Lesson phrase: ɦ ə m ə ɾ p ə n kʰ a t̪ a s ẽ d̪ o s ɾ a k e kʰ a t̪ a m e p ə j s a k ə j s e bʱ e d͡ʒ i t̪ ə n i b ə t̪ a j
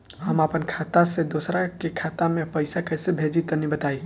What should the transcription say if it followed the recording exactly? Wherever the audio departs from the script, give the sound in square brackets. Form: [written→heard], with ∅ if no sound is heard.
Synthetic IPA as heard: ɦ ə m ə [ɾ→∅] p ə n kʰ a t̪ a s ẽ d̪ o s ɾ a k e kʰ a t̪ a m e p ə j s a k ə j s e bʱ e d͡ʒ i t̪ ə n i b ə t̪ a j